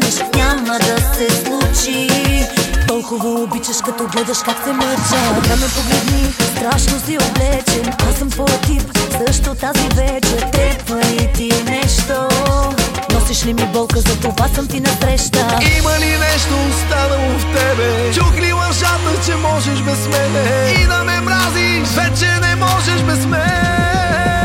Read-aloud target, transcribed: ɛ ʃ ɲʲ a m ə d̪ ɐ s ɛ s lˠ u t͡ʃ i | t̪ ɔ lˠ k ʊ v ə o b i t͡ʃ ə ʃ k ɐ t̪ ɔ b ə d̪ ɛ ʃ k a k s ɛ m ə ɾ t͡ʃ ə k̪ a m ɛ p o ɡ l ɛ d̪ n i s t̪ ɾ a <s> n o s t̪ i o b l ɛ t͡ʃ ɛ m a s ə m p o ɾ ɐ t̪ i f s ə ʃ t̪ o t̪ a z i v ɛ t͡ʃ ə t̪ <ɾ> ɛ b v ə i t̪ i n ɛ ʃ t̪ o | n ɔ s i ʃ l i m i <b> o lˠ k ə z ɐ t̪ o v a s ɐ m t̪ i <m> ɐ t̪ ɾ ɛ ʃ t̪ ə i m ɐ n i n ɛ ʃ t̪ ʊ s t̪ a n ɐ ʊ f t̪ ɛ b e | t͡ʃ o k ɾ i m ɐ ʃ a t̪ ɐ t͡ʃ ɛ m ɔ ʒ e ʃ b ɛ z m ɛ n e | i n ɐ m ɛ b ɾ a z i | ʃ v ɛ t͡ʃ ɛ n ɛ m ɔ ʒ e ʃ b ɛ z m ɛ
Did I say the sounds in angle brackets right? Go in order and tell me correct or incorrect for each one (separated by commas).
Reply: incorrect, correct, correct, incorrect